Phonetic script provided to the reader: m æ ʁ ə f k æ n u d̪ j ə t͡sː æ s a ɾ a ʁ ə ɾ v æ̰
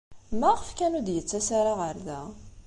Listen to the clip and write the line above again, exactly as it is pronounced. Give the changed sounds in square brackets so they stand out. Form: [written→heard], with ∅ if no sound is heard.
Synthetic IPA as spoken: m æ ʁ ə f k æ n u d̪ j ə t͡sː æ s a ɾ a ʁ ə ɾ [v→ð] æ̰